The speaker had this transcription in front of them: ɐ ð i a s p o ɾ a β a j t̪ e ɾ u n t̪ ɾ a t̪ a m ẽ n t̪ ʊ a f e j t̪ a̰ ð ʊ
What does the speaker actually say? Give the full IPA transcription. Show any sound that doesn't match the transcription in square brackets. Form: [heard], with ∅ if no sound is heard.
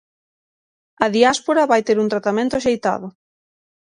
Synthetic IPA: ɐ ð i a s p o ɾ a β a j t̪ e ɾ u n t̪ ɾ a t̪ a m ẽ n t̪ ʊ a [ʃ] e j t̪ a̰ ð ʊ

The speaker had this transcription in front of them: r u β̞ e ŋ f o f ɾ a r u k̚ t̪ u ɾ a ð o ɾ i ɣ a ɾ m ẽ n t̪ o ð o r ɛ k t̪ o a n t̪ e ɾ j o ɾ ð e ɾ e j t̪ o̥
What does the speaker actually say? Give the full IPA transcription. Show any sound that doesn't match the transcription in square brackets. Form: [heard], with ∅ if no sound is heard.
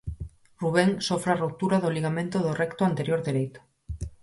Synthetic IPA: r u β̞ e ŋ [s] o f ɾ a r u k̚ t̪ u ɾ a ð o [l] i ɣ a [∅] m ẽ n t̪ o ð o r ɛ k t̪ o a n t̪ e ɾ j o ɾ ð e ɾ e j t̪ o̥

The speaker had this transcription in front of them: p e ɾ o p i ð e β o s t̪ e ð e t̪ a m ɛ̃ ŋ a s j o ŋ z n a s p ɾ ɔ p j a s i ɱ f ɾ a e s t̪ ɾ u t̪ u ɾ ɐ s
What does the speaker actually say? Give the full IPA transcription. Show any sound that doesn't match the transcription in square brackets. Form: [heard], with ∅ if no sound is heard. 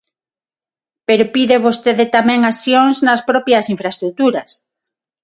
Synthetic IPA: p e ɾ o p i ð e β o s t̪ e ð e t̪ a m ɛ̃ ŋ a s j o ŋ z n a s p ɾ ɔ p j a s i ɱ f ɾ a e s t̪ ɾ u t̪ u ɾ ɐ s

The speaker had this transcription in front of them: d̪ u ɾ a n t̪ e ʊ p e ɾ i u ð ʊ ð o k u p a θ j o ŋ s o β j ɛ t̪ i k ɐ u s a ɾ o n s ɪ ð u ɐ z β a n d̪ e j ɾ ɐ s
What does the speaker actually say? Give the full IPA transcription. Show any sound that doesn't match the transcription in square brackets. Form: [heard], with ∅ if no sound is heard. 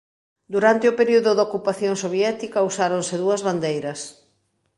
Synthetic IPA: d̪ u ɾ a n t̪ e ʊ p e ɾ i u ð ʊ ð o k u p a θ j o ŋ s o β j ɛ t̪ i k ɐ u s a ɾ o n s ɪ ð u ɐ z β a n d̪ e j ɾ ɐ s

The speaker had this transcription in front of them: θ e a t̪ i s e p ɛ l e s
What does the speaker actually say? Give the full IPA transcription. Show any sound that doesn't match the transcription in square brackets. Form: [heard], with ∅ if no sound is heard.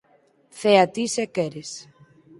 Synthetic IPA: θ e a t̪ i s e [k] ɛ [ɾ] e s

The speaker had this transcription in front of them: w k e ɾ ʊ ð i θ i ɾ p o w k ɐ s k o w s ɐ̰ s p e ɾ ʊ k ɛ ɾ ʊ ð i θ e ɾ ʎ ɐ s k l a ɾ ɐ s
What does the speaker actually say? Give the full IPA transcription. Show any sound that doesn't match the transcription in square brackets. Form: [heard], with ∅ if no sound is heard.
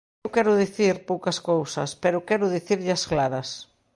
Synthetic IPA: w k [ɛ] ɾ ʊ ð i θ i ɾ p o w k ɐ s k o w s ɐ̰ s p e ɾ ʊ k ɛ ɾ ʊ ð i θ [i] ɾ ʎ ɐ s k l a ɾ ɐ s

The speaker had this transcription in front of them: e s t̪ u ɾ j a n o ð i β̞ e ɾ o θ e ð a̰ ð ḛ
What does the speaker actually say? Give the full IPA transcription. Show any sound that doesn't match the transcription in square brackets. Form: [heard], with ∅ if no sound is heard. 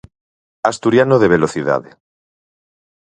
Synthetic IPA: [a] s t̪ u ɾ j a n o ð [e] β̞ e [l] o θ [i] ð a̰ ð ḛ

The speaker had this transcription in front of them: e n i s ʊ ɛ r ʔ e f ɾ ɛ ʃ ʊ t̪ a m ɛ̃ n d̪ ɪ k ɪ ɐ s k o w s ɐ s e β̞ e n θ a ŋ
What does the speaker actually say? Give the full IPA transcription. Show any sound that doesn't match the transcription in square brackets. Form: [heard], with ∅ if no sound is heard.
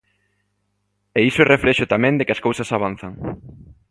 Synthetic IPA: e [∅] i s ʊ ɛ r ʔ e f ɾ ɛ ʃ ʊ t̪ a m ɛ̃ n d̪ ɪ k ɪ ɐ s k o w s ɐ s [a] β̞ [a] n θ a ŋ

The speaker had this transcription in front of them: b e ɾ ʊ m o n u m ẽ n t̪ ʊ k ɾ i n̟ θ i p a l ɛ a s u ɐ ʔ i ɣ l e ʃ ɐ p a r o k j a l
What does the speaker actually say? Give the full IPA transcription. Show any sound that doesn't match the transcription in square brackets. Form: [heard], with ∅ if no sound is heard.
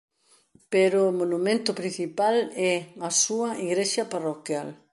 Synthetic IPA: [p] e ɾ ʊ m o n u m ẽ n t̪ ʊ [p] ɾ i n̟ θ i p a l ɛ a s u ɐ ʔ i ɣ [ɾ] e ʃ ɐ p a r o k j a l

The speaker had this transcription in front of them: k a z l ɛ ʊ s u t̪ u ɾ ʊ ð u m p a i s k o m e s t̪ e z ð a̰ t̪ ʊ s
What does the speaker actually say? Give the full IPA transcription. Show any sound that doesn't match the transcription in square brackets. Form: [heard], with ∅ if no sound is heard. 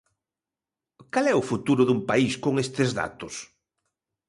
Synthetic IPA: k a [∅] l ɛ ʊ [f] u t̪ u ɾ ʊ ð u m p a i s k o [ŋ] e s t̪ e z ð a̰ t̪ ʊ s

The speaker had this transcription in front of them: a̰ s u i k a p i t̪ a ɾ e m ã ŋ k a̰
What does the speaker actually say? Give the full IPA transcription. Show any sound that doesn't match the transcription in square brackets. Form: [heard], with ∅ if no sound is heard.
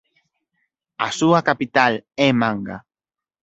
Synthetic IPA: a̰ s u [a] k a p i t̪ a [l] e m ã ŋ [ɡ] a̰

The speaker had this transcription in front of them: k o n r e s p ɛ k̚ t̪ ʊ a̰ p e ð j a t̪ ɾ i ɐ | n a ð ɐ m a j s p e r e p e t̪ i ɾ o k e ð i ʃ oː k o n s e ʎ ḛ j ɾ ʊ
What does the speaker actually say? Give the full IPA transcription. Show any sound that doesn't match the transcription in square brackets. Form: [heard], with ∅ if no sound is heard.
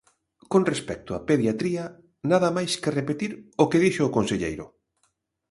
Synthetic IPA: k o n r e s p ɛ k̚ t̪ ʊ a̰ p e ð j a t̪ ɾ i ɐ | n a ð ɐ m a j s [k] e r e p e t̪ i ɾ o k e ð i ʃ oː k o n s e ʎ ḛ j ɾ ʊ

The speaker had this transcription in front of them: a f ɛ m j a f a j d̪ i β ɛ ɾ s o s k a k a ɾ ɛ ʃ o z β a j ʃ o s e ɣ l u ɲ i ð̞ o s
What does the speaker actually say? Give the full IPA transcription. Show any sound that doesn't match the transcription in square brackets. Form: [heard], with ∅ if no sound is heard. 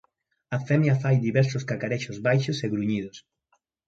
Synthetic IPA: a f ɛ m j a f a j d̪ i β ɛ ɾ s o s k a k a ɾ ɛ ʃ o z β a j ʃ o s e ɣ [ɾ] u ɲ i ð̞ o s

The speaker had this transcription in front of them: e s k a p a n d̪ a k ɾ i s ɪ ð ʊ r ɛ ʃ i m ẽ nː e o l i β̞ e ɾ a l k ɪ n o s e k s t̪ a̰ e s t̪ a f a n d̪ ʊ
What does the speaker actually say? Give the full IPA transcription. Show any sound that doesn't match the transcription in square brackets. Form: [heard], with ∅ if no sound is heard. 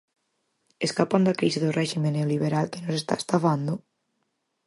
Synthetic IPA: e s k a p a n d̪ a k ɾ i s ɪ ð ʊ r ɛ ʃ i m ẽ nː e o l i β̞ e ɾ a l k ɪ n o s e [∅] s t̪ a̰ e s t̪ a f a n d̪ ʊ

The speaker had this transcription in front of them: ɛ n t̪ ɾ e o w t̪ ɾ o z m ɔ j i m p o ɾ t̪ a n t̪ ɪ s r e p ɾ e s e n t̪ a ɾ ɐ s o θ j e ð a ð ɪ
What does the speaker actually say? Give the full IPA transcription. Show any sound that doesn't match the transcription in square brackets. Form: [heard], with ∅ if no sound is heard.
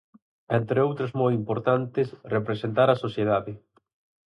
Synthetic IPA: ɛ n t̪ ɾ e o w t̪ ɾ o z m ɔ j i m p o ɾ t̪ a n t̪ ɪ s r e p ɾ e s e n t̪ a ɾ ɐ s o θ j e ð a ð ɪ

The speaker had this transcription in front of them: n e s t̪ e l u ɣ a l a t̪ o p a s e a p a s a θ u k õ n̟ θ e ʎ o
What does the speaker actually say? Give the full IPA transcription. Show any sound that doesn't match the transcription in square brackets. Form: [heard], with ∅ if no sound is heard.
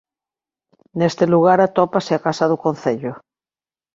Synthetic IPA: n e s t̪ e l u ɣ a [ɾ] a t̪ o p a s e a [k] a s a [ð] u k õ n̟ θ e ʎ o

